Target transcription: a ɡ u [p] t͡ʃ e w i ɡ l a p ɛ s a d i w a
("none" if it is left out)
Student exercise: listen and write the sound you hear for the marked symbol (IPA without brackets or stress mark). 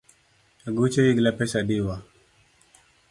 none